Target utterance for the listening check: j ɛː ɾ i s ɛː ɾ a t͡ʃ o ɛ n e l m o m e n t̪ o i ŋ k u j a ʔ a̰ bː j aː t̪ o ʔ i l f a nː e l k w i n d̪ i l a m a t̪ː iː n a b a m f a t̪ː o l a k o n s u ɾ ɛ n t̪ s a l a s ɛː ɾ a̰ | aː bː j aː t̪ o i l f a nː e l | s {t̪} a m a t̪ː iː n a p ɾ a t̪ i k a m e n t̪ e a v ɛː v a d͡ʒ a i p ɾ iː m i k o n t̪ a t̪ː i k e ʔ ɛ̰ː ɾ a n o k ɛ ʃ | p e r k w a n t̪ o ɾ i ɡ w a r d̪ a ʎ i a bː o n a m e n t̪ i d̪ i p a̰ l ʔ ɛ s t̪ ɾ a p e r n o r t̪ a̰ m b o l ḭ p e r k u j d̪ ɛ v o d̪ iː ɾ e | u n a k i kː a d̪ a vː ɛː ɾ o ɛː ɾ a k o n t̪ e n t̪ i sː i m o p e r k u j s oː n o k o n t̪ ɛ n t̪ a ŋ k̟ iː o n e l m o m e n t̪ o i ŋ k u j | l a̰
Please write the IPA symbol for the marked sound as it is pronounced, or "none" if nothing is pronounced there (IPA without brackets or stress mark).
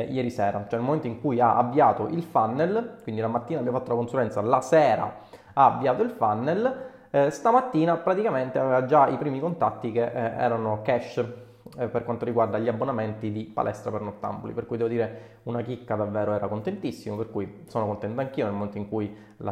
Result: t̪